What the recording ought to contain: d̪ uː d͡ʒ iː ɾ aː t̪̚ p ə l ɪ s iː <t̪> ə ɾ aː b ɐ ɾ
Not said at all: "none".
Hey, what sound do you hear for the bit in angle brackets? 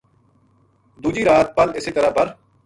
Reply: t̪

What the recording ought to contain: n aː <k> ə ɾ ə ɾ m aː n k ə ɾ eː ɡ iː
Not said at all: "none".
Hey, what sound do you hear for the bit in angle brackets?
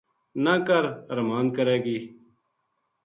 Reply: k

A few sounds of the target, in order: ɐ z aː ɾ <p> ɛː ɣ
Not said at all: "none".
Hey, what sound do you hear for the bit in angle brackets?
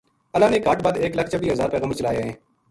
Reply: p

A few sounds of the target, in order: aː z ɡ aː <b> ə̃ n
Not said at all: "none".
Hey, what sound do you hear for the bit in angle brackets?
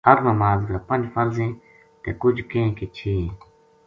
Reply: p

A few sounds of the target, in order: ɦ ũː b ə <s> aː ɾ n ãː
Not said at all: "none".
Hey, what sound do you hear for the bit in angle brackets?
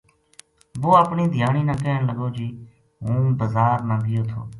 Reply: z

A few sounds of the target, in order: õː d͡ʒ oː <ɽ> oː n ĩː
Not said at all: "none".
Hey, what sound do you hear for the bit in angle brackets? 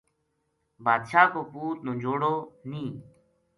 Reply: ɽ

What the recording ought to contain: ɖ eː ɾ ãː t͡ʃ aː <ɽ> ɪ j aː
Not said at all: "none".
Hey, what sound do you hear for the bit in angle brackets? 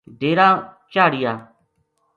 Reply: ɽ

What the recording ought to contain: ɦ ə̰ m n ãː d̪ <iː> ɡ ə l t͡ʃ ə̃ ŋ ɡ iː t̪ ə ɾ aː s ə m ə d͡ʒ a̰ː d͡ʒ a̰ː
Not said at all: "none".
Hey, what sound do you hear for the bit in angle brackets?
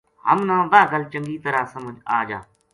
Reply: aː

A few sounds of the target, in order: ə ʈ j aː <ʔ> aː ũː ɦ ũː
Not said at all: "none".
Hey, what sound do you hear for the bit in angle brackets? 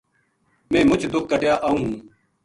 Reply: ʔ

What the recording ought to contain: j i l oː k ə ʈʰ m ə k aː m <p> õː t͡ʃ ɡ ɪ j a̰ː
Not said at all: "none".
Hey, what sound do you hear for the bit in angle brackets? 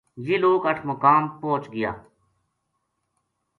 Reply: p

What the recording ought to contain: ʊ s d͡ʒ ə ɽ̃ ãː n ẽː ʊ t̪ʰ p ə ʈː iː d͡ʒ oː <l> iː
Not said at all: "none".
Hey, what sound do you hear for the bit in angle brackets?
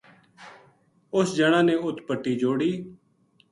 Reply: ɽ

